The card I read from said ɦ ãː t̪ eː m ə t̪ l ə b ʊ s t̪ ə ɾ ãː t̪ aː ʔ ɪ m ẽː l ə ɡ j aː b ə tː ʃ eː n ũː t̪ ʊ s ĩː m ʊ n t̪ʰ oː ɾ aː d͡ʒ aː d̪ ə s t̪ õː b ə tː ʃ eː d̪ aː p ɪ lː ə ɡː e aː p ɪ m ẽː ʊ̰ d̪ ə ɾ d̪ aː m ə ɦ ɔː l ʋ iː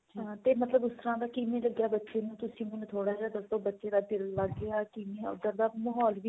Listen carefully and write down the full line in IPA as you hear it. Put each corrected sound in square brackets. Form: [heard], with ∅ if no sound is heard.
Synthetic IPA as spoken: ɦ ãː t̪ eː m ə t̪ l ə b ʊ s t̪ ə ɾ ãː [d̪] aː [k] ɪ m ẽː l ə ɡ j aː b ə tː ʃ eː n ũː t̪ ʊ s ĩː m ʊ n t̪ʰ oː [ɽ] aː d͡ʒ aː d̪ ə s t̪ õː b ə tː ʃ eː d̪ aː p ɪ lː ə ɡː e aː [k] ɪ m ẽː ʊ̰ d̪ ə ɾ d̪ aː m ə ɦ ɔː l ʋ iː